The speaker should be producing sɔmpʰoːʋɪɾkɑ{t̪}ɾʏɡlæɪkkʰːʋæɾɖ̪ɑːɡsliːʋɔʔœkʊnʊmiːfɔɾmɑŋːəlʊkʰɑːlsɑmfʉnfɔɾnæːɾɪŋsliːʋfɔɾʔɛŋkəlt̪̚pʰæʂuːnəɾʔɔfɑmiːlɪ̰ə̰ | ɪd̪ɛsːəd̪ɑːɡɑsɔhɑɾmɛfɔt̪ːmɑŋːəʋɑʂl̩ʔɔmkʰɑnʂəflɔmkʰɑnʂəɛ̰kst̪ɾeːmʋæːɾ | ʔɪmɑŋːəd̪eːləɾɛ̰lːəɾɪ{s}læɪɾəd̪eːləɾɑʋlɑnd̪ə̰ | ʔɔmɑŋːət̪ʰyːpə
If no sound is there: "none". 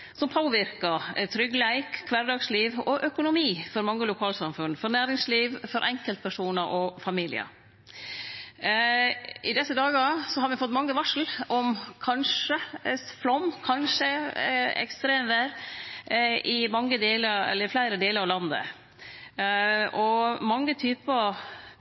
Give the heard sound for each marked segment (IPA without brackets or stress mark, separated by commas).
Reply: t̪ʰ, f